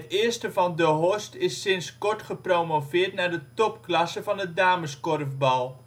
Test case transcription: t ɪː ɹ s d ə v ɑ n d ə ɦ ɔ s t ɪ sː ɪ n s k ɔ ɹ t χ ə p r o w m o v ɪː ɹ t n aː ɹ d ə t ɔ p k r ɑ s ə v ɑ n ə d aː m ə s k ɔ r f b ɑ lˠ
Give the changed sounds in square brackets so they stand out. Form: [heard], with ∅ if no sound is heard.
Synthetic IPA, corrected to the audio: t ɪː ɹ s [t] ə v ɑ n d ə ɦ ɔ s t ɪ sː ɪ n s k ɔ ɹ t χ ə p r o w m o v ɪː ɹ t n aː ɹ d ə t ɔ p k [l] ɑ s ə v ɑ n ə d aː m ə s k ɔ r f b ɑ lˠ

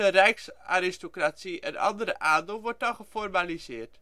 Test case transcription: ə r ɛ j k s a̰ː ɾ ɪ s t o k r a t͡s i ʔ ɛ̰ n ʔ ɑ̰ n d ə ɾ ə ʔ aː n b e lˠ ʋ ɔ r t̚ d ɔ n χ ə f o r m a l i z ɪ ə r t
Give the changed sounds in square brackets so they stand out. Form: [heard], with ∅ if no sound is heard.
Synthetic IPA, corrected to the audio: ə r ɛ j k s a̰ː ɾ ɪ s t o k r a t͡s i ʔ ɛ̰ n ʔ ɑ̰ n d ə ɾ ə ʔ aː n [d] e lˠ ʋ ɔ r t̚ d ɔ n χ ə f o r m a l i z ɪ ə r t

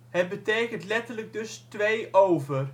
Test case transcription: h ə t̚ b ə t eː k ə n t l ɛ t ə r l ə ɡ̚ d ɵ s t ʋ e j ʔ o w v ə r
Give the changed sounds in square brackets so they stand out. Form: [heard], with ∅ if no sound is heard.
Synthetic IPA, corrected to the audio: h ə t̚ b ə t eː k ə n t l ɛ t ə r l ə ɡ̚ d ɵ s t ʋ e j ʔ o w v ə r

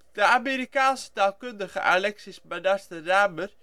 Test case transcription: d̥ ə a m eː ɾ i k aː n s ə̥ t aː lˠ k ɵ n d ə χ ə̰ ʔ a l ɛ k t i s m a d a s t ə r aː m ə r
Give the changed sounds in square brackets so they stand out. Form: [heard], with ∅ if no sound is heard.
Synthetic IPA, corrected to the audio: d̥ ə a m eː ɾ i k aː n s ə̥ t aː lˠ k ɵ n d ə χ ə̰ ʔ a l ɛ k [s] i s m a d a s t ə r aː m ə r

